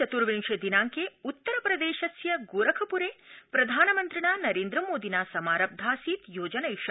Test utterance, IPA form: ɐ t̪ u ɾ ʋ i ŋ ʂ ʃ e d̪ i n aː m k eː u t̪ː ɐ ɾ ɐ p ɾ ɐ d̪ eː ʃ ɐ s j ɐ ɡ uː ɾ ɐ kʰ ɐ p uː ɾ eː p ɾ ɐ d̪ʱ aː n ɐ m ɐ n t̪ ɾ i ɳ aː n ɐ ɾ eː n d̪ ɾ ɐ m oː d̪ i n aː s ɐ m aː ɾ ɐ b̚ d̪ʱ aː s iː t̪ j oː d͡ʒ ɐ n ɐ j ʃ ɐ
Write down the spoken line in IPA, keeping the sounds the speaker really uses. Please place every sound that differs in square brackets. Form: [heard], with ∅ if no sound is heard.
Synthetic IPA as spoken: ɐ t̪ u ɾ ʋ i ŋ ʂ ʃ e d̪ i n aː [ŋ] k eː u t̪ː ɐ ɾ ɐ p ɾ ɐ d̪ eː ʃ ɐ s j ɐ ɡ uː ɾ ɐ kʰ ɐ p [u] ɾ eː p ɾ ɐ d̪ʱ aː n ɐ m ɐ n t̪ ɾ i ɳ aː n ɐ ɾ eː n d̪ ɾ ɐ m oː d̪ i n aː s ɐ m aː ɾ ɐ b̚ d̪ʱ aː s iː t̪ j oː d͡ʒ ɐ n ɐ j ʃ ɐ